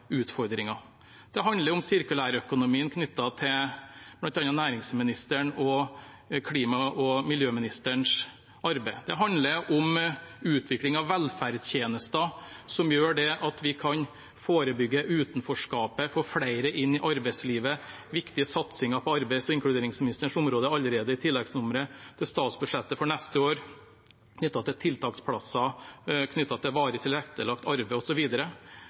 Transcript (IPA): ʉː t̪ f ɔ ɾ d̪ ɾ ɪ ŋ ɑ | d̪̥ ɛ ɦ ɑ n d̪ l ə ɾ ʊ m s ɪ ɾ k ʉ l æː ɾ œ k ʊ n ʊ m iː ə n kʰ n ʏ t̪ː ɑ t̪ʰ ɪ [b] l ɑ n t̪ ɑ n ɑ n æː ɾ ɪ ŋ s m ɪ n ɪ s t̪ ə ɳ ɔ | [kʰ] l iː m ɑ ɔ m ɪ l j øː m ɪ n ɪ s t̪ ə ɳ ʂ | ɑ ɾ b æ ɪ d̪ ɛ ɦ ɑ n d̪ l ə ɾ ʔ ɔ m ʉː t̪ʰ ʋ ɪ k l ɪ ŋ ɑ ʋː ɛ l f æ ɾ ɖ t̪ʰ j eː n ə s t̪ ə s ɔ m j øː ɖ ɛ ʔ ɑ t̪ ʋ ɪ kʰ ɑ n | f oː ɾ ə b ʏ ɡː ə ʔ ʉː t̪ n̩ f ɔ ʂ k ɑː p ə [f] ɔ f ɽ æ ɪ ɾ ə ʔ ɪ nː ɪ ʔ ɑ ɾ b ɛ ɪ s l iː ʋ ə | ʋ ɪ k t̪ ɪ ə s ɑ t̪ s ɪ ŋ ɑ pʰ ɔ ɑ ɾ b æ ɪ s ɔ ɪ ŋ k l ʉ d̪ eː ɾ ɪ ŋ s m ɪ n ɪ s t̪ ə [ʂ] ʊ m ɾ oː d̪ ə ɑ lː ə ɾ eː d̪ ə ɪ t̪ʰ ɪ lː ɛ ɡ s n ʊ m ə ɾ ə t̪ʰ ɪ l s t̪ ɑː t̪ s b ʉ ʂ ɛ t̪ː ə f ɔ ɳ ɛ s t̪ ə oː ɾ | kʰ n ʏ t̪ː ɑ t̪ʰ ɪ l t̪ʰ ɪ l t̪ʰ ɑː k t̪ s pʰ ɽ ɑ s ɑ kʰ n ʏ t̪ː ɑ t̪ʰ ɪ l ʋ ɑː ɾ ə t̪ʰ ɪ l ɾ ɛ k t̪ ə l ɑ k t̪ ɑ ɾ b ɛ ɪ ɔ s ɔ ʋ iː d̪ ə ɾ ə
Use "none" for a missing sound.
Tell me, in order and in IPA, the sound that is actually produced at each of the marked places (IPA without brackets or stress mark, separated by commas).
b, kʰ, f, ʂ